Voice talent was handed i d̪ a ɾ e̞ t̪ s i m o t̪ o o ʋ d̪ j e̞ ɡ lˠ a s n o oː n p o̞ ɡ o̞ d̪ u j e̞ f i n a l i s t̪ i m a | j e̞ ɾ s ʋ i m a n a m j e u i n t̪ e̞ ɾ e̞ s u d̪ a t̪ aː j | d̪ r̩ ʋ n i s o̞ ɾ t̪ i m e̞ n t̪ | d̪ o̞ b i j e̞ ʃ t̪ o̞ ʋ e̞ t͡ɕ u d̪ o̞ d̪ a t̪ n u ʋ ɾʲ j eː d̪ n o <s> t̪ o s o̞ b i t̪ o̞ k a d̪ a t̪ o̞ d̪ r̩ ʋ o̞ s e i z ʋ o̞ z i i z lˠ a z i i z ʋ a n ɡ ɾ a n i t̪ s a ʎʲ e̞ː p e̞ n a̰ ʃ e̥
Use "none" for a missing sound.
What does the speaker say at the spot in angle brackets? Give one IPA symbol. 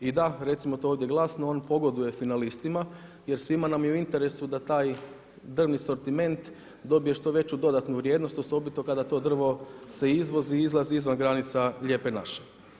s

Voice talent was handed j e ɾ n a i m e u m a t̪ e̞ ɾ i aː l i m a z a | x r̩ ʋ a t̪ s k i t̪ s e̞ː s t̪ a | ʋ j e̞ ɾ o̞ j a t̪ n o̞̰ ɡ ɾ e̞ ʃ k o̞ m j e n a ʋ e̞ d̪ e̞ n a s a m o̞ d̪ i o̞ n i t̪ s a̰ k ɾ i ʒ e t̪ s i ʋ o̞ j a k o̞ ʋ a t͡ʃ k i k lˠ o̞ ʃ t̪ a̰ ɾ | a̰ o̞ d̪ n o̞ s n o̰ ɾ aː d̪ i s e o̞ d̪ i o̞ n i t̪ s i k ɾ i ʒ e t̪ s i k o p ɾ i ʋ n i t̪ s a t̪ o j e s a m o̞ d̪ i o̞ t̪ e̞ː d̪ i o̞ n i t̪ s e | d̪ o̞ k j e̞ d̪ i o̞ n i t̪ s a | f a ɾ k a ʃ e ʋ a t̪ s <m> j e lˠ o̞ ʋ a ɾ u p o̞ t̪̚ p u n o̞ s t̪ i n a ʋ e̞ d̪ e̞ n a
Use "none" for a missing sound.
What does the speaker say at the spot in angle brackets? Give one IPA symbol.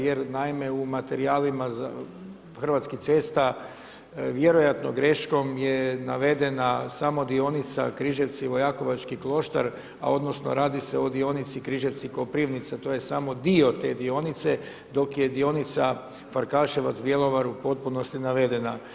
b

